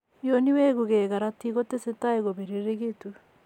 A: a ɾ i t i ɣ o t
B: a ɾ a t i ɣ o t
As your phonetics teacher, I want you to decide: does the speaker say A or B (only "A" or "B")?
B